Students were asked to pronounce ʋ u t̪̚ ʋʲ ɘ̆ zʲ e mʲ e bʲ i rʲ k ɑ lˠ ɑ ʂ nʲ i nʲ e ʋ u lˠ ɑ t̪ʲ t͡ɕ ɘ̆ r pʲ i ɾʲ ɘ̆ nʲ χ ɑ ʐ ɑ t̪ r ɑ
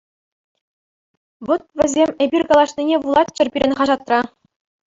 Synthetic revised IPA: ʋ o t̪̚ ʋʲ ɘ̆ zʲ e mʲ e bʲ i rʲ k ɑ lˠ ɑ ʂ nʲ i nʲ e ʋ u lˠ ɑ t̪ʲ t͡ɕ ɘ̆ r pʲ i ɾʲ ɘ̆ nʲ χ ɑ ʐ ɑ t̪ r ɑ